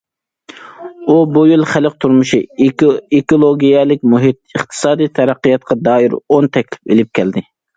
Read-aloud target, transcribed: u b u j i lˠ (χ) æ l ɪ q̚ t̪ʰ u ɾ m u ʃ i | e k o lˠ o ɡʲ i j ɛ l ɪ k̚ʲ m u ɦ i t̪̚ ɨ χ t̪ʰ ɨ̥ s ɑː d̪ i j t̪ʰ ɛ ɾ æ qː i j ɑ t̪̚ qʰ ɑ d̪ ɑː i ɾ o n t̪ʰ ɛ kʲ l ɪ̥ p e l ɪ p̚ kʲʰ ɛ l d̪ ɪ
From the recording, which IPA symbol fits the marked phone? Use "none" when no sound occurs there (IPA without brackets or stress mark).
χ